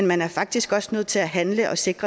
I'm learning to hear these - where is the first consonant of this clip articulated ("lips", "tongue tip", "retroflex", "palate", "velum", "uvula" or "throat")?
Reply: tongue tip